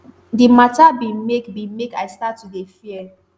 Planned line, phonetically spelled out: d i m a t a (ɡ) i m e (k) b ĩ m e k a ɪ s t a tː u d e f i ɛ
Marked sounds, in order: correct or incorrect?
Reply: incorrect: b, correct

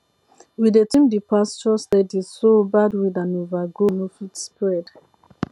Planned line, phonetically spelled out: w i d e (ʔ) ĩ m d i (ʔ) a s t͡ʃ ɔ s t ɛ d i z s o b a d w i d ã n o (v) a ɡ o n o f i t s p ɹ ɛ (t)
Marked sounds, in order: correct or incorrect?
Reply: incorrect: t, incorrect: p, correct, incorrect: d

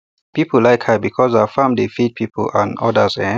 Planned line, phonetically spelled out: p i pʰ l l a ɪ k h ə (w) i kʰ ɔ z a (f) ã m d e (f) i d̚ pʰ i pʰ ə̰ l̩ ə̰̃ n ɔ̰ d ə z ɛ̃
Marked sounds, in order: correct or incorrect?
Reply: incorrect: b, correct, correct

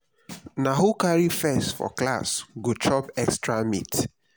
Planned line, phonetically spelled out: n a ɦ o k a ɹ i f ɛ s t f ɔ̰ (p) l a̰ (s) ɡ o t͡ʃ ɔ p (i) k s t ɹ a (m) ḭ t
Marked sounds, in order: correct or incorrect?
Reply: incorrect: k, correct, incorrect: ɛ, correct

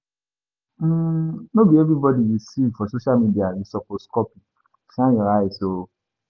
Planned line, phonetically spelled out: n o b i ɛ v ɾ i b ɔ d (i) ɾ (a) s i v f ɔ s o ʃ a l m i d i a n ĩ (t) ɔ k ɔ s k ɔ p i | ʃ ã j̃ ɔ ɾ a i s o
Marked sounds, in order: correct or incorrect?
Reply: correct, incorrect: i, incorrect: s

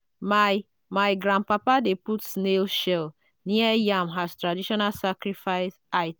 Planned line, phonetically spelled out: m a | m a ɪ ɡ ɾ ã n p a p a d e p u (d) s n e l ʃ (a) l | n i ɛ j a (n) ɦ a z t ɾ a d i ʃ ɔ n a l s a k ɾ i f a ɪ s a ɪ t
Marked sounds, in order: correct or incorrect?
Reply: incorrect: t, incorrect: ɛ, incorrect: m

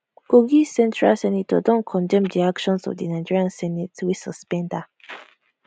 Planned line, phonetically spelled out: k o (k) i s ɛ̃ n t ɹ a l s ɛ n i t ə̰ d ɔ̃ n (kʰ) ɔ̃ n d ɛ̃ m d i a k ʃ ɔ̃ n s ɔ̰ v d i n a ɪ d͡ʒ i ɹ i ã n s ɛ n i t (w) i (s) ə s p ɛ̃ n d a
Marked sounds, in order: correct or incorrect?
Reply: incorrect: ɡ, correct, correct, correct

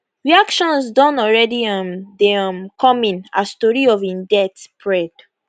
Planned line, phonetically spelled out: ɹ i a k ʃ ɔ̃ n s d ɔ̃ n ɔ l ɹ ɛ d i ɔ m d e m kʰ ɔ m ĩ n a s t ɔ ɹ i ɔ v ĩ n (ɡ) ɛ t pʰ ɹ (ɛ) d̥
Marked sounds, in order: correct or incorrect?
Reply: incorrect: d, correct

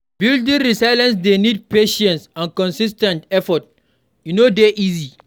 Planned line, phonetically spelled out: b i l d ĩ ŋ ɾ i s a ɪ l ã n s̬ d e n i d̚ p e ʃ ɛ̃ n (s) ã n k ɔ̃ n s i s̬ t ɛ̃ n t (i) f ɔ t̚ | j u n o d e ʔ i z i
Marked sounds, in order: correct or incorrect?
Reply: correct, incorrect: ɛ

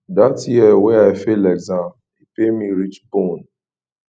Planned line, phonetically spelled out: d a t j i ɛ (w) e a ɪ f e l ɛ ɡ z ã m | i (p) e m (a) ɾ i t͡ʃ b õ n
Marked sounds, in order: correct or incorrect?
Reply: correct, correct, incorrect: i

